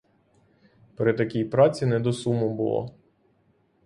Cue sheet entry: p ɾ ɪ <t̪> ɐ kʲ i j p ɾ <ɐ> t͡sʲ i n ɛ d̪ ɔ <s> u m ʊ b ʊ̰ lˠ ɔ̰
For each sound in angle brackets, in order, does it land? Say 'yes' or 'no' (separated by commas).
yes, no, yes